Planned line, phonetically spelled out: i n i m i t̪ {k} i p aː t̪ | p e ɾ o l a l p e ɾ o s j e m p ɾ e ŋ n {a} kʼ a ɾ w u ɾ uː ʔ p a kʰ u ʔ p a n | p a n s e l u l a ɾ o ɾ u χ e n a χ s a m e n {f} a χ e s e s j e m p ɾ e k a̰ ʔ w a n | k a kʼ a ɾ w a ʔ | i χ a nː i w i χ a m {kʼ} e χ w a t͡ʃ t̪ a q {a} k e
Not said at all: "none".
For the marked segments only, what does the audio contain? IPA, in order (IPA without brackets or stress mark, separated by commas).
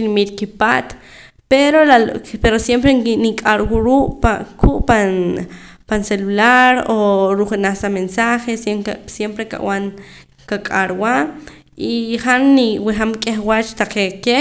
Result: k, i, s, kʼ, e